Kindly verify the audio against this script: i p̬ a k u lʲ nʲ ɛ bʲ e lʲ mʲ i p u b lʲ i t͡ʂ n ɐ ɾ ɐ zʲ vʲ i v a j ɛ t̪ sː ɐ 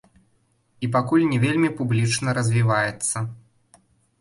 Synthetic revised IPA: i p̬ a k u lʲ nʲ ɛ vʲ e lʲ mʲ i p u b lʲ i t͡ʂ n ɐ ɾ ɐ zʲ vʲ i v a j ɛ t̪ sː ɐ